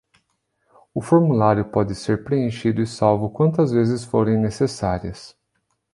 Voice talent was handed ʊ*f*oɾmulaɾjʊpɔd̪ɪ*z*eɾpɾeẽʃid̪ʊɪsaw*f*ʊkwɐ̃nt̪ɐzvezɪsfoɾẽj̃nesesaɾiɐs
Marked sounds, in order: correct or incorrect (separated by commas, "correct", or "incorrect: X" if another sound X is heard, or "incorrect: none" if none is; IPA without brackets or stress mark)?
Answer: correct, incorrect: s, incorrect: v